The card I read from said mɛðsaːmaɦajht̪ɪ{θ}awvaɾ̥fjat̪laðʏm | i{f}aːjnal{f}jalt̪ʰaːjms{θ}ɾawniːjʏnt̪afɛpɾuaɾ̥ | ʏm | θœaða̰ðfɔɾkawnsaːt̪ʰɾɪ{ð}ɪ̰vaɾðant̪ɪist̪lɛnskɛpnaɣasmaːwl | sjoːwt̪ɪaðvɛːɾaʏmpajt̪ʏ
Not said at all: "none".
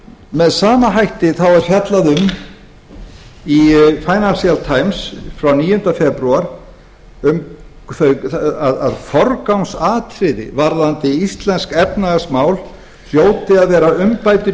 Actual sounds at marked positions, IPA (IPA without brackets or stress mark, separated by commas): θ, f, s, f, ð